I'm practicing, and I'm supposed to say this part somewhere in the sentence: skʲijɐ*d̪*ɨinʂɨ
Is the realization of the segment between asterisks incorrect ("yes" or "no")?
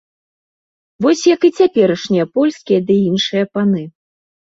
no